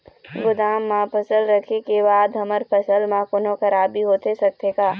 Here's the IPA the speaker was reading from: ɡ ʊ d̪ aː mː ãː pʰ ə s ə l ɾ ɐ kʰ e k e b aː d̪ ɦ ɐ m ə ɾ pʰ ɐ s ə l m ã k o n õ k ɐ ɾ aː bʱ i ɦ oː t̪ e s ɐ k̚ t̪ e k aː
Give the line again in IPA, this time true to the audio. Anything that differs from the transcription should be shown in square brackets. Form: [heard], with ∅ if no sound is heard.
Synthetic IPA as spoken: ɡ ʊ d̪ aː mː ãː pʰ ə s ə l ɾ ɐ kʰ e k e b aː d̪ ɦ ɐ m ə ɾ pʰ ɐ s ə l m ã k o n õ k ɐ ɾ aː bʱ i ɦ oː t̪ e s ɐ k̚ t̪ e k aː